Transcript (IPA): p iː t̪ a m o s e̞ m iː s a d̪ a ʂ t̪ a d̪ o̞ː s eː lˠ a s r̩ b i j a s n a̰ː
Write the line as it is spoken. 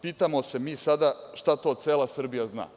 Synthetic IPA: p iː t̪ a m o s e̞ m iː s a d̪ a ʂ t̪ a t̪ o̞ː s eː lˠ a s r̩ b i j a z n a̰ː